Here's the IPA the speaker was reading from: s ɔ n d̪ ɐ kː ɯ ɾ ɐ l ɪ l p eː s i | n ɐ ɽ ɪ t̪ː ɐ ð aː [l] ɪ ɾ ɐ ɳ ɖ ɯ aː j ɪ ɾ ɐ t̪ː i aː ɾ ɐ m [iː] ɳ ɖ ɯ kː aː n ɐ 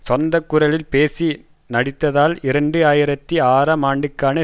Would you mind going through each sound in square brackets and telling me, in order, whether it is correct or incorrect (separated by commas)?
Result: correct, incorrect